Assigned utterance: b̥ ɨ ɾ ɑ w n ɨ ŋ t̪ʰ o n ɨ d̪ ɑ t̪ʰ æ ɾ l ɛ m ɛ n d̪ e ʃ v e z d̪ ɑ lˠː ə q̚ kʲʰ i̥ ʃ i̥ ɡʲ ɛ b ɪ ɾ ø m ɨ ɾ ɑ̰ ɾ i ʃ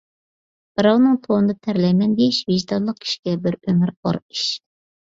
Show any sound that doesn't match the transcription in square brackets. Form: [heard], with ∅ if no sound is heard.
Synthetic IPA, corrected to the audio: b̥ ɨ ɾ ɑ w n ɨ ŋ t̪ʰ o n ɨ d̪ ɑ t̪ʰ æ ɾ l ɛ m ɛ n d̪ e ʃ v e [ʒ] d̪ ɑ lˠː ə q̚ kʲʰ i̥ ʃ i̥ ɡʲ ɛ b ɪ ɾ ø m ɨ ɾ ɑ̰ ɾ i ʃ